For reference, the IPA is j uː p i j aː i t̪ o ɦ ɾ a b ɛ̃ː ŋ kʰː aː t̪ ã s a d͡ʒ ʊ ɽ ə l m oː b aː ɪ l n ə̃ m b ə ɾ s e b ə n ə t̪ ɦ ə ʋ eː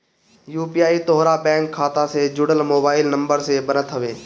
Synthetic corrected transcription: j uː p i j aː i t̪ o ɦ ɾ a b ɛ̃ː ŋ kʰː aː t̪ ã s e d͡ʒ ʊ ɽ ə l m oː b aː ɪ l n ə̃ m b ə ɾ s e b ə n ə t̪ ɦ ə ʋ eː